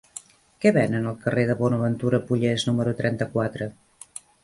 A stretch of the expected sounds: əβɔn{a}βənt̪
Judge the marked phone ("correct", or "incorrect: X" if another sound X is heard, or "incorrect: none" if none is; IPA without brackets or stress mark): incorrect: ə